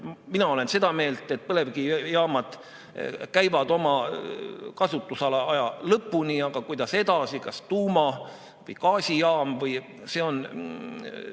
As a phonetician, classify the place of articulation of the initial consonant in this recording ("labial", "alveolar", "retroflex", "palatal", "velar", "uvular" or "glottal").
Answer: labial